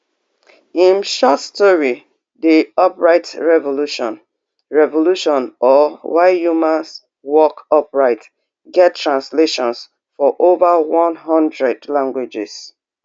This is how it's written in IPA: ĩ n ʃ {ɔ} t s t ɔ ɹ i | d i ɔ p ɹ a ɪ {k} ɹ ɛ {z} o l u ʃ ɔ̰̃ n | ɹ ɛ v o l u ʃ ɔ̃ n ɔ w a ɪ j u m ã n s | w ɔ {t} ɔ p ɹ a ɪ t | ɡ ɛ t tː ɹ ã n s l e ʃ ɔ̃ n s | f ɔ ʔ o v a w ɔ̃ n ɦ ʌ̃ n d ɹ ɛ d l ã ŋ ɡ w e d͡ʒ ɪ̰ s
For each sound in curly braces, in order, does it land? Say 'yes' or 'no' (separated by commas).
yes, no, no, no